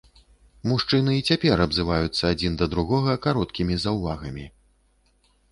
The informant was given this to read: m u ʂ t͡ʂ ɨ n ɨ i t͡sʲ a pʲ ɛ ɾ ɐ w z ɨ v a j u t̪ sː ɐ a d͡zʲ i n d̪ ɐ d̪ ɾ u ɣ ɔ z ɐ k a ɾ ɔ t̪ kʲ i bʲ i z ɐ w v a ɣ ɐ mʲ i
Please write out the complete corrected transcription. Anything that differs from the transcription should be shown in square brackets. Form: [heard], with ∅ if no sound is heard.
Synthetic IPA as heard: m u ʂ t͡ʂ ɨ n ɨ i t͡sʲ a pʲ ɛ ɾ ɐ [b] z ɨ v a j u t̪ sː ɐ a d͡zʲ i n d̪ ɐ d̪ ɾ u ɣ ɔ [ɣ] ɐ k a ɾ ɔ t̪ kʲ i [mʲ] i z ɐ w v a ɣ ɐ mʲ i